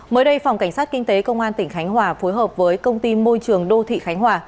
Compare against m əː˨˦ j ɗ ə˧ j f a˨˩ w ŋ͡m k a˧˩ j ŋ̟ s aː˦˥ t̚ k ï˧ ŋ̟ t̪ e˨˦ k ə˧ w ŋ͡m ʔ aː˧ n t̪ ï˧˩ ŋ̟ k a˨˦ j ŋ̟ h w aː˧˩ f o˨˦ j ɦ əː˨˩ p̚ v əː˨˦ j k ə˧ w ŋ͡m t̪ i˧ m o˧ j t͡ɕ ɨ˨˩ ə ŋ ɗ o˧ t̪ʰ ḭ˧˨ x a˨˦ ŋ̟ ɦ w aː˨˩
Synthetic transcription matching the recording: m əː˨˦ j ɗ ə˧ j f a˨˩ w ŋ͡m k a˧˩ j ŋ̟ s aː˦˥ t̚ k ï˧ ŋ̟ t̪ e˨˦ k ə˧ w ŋ͡m ʔ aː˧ n t̪ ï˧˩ ŋ̟ x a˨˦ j ŋ̟ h w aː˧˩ f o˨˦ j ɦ əː˨˩ p̚ v əː˨˦ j k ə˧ w ŋ͡m t̪ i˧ m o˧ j t͡ɕ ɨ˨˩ ə ŋ ɗ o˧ t̪ʰ ḭ˧˨ x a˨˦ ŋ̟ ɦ w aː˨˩